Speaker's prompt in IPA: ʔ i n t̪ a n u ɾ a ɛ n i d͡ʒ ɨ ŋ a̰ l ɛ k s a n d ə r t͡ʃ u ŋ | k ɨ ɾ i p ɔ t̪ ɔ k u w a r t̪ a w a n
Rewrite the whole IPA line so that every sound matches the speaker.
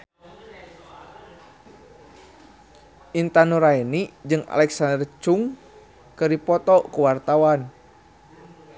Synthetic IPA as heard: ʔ i n t̪ a n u ɾ a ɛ n i d͡ʒ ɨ ŋ a̰ l ɛ k s a n d ə r t͡ʃ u ŋ | k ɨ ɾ i p ɔ t̪ ɔ k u w a r t̪ a w a n